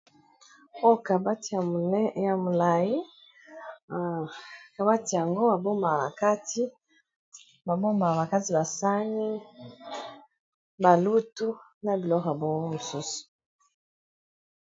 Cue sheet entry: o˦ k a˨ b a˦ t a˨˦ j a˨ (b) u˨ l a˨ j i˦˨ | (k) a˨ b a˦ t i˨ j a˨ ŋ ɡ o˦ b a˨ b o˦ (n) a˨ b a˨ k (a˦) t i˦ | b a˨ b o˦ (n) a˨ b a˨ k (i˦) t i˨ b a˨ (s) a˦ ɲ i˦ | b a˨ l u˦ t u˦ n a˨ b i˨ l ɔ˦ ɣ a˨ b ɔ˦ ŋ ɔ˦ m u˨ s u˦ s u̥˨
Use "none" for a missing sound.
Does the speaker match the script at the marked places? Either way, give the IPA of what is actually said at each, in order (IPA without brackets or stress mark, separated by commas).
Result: m, k, m, a˦, m, a˦, s